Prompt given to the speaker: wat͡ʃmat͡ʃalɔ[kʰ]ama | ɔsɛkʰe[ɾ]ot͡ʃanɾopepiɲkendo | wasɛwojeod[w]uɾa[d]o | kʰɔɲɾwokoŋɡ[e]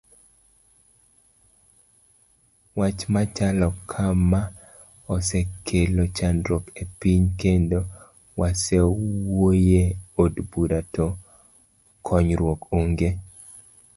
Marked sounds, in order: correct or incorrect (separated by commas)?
correct, incorrect, incorrect, incorrect, correct